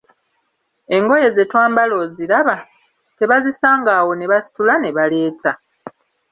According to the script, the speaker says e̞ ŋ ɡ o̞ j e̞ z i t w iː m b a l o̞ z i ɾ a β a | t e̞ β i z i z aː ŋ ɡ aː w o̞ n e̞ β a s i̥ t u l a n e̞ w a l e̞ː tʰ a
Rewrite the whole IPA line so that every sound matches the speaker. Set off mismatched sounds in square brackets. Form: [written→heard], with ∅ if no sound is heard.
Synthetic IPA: e̞ ŋ ɡ o̞ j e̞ z [i→e] t w [iː→aː] m b a l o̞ z i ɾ a β a | t e̞ β [i→a] z i [z→s] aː ŋ ɡ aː w o̞ n e̞ β a s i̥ t u l a n e̞ [w→β] a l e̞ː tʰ a